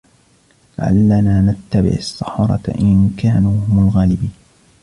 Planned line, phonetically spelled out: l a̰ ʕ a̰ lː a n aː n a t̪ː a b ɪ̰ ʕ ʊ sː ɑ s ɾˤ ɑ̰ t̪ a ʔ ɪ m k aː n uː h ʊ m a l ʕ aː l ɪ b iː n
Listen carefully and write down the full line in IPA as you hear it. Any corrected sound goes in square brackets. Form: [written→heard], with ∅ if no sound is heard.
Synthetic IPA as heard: l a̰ ʕ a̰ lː a n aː n a t̪ː a b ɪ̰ ʕ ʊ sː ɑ [s→ħ] ɾˤ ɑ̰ t̪ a ʔ ɪ [m→n] k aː n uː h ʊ m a l [ʕ→ɣ] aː l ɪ b iː n